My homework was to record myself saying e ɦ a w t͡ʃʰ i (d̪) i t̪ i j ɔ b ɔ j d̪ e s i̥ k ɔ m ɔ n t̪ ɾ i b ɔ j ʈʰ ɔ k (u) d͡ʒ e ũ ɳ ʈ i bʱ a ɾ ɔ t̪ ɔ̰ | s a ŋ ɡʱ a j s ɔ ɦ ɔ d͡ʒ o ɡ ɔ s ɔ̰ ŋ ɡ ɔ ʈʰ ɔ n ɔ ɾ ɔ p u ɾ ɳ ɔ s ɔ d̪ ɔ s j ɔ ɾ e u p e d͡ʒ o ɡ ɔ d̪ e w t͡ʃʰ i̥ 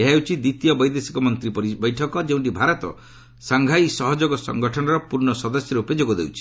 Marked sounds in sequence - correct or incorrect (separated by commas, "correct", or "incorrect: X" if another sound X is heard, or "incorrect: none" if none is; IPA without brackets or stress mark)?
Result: correct, incorrect: ɔ